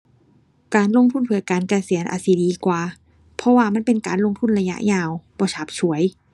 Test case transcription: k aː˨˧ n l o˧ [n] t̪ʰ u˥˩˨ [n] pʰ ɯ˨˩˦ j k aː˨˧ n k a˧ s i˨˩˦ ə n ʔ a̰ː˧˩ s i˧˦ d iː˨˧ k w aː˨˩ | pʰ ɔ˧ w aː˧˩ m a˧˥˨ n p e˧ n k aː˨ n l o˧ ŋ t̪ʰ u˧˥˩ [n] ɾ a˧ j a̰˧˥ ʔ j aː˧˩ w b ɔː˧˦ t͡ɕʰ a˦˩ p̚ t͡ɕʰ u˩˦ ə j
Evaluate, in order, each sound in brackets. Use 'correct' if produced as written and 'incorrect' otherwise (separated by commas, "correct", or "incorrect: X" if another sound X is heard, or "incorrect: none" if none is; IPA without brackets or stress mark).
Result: incorrect: ŋ, correct, correct